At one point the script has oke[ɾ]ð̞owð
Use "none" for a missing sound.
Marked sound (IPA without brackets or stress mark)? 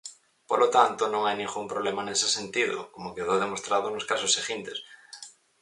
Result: none